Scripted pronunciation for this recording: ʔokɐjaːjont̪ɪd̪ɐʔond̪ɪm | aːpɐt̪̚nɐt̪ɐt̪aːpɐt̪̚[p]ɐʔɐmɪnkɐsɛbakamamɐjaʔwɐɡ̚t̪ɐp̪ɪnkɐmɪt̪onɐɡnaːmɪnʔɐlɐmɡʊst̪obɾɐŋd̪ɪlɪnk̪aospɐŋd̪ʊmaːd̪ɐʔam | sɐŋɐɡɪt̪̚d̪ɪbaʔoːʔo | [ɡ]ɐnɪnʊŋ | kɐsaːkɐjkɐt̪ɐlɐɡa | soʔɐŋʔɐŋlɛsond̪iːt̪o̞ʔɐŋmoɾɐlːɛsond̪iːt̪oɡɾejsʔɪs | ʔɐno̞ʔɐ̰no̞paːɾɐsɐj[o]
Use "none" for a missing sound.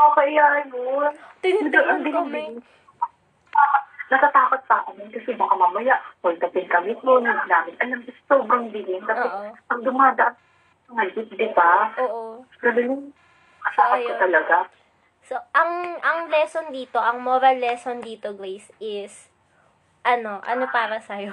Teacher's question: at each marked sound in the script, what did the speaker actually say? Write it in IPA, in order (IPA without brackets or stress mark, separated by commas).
p, ɡ, o